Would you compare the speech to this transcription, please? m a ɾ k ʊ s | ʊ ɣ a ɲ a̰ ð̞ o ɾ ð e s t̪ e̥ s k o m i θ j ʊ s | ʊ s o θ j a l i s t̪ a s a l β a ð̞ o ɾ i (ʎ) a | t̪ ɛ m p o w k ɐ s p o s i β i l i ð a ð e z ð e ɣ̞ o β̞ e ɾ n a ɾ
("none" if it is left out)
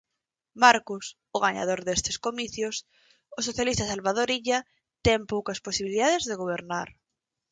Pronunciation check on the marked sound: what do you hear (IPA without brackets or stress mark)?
ʎ